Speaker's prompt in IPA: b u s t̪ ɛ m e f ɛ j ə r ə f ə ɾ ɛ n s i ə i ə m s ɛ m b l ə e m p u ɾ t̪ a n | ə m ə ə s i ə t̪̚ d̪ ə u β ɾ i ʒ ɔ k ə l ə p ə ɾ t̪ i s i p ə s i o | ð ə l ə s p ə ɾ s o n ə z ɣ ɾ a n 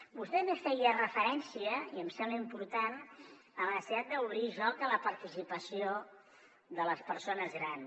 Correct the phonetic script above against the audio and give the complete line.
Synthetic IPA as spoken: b u s t̪ ɛ m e f ɛ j ə r ə f ə ɾ ɛ n s i ə i ə m s ɛ m b l ə i m p u ɾ t̪ a n | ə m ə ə s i a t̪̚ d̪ ə u β ɾ i ʒ ɔ k ə l ə p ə ɾ t̪ i s i p ə s i o | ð ə l ə s p ə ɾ s o n ə z ɣ ɾ a n

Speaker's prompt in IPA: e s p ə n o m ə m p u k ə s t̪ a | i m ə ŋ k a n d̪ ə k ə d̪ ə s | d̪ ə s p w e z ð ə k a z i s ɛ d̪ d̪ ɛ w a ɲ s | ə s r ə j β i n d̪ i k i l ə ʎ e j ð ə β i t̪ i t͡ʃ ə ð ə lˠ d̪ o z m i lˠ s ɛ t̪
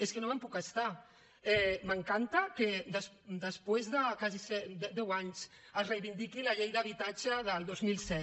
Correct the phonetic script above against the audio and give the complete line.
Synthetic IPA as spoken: e s k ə n o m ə m p u k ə s t̪ a | ɛ m ə ŋ k a n t̪ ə k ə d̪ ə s | d̪ ə s p w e z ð ə k a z i s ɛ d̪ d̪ ɛ w a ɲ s | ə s r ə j β i n d̪ i k i l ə ʎ e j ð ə β i t̪ a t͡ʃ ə ð ə lˠ d̪ o z m i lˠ s ɛ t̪

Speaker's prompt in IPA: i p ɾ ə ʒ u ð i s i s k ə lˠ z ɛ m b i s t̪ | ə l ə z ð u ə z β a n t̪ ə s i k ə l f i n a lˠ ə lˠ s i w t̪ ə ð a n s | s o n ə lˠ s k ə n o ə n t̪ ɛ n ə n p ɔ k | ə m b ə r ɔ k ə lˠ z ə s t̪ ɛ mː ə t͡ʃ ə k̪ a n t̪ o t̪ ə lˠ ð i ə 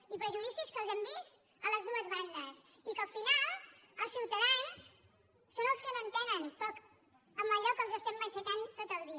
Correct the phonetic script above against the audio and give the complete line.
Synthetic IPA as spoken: i p ɾ ə ʒ u ð i s i s k ə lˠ z ɛ m b i s t̪ | ə l ə z ð u ə z β a n d̪ ə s i k ə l f i n a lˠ ə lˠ s i w t̪ ə ð a n s | s o n ə lˠ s k ə n o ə n t̪ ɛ n ə n p ɔ k | ə m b ə ʎ ɔ k ə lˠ z ə s t̪ ɛ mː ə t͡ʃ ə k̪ a n t̪ o t̪ ə lˠ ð i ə

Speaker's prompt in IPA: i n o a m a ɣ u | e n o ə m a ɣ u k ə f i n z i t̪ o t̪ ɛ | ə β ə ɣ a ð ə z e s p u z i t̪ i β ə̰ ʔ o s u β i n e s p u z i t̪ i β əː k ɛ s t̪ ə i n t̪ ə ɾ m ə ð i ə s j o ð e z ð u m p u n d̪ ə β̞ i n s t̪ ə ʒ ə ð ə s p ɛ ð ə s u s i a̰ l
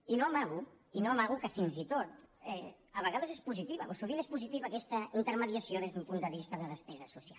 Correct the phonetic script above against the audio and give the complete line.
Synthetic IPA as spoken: i n o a m a ɣ u | i n o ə m a ɣ u k ə f i n z i t̪ o t̪ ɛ | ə β ə ɣ a ð ə z e s p u z i t̪ i β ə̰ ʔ o s u β i n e s p u z i t̪ i β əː k ɛ s t̪ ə i n t̪ ə ɾ m ə ð i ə s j o ð e z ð u m p u n d̪ ə β̞ i s t̪ ə ð ə ð ə s p ɛ z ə s u s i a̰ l

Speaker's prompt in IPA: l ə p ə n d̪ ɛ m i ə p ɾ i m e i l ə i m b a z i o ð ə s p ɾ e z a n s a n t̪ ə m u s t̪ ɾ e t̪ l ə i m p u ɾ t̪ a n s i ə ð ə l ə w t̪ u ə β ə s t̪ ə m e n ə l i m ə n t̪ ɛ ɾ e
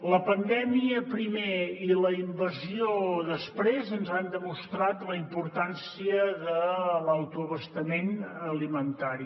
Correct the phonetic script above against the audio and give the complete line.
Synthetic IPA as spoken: l ə p ə n d̪ ɛ m i ə p ɾ i m e i l ə i m b ə z i o ð ə s p ɾ e z ə n z a n d̪ ə m u s t̪ ɾ a t̪ l ə i m p u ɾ t̪ a n s i ə ð ə l ə w t̪ u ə β ə s t̪ ə m e n ə l i m ə n t̪ a ɾ i

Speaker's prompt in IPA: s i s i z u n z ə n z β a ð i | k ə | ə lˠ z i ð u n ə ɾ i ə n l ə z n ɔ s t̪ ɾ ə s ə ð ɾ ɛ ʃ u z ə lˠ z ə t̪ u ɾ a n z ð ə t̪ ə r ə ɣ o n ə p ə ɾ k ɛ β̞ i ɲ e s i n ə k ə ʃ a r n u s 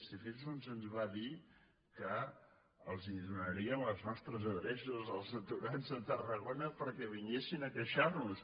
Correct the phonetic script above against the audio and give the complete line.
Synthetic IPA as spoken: s i f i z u n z ə n z β a ð i | k ə | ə lˠ z i ð u n ə ɾ i ə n l ə z n ɔ s t̪ ɾ ə z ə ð ɾ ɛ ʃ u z ə lˠ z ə t̪ u ɾ a n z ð ə t̪ ə r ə ɣ o n ə p ə ɾ k ɛ β̞ i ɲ e s i n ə k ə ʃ a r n u s

